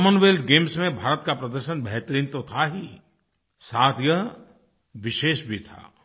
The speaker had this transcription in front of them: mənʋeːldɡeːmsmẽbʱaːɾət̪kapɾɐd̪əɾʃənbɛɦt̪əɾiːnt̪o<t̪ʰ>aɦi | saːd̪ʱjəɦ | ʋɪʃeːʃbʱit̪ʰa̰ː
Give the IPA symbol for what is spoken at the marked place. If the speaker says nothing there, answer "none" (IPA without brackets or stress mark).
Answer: t̪ʰ